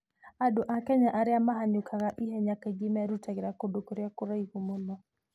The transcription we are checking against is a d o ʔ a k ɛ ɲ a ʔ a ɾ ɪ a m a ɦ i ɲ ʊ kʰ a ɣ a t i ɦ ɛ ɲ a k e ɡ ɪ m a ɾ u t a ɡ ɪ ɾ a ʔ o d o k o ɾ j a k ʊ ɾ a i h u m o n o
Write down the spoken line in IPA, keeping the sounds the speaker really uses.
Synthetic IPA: a d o ʔ a k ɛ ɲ a ʔ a ɾ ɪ a m a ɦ a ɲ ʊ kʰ a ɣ a ʔ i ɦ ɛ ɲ a k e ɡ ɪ m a ɾ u t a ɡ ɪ ɾ a k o d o k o ɾ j a k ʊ ɾ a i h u m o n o